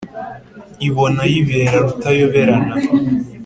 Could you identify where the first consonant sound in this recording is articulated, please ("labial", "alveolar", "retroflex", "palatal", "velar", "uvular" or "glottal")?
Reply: labial